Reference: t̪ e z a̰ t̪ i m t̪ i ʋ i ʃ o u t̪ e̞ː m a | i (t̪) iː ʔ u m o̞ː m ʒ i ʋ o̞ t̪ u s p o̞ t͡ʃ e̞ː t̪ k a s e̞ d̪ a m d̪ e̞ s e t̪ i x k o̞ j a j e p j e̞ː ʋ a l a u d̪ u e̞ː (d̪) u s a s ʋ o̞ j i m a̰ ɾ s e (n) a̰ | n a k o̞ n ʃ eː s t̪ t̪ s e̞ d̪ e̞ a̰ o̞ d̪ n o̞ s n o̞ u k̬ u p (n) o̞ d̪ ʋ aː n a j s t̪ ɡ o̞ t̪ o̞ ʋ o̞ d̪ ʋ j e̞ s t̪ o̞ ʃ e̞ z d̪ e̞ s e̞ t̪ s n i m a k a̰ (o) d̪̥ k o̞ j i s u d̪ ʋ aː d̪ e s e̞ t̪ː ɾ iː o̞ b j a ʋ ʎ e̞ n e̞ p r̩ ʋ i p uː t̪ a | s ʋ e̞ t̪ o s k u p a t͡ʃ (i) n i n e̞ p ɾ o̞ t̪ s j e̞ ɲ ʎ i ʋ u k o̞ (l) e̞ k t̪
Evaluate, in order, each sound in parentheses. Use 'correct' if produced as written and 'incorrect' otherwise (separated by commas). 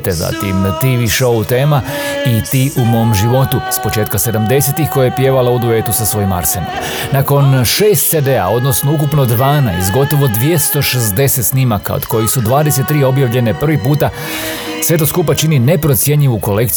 correct, incorrect, correct, correct, correct, correct, correct